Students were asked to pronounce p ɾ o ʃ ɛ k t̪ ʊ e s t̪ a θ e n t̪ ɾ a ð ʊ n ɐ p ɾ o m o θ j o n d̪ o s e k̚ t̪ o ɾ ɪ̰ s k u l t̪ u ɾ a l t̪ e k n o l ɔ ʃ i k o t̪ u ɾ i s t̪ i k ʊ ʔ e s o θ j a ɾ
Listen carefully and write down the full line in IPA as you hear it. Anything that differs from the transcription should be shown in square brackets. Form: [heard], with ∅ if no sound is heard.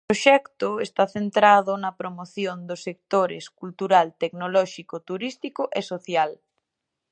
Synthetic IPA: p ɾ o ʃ ɛ k t̪ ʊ e s t̪ a θ e n t̪ ɾ a ð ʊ n ɐ p ɾ o m o θ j o n d̪ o s e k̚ t̪ o ɾ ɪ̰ s k u l t̪ u ɾ a l t̪ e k n o l ɔ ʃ i k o t̪ u ɾ i s t̪ i k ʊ ʔ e s o θ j a [l]